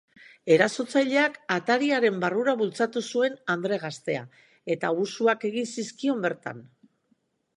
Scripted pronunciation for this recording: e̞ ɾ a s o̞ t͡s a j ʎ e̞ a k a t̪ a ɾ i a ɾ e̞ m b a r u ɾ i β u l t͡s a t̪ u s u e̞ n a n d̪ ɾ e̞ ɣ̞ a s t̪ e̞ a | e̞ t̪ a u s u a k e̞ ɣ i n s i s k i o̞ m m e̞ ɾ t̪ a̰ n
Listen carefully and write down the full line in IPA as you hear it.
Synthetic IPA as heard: e̞ ɾ a s o̞ t͡s a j ʎ e̞ a k a t̪ a ɾ i a ɾ e̞ m b a r u ɾ a β u l t͡s a t̪ u s u e̞ n a n d̪ ɾ e̞ ɣ̞ a s t̪ e̞ a | e̞ t̪ a u s u a k e̞ ɣ i n s i s k i o̞ m b e̞ ɾ t̪ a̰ n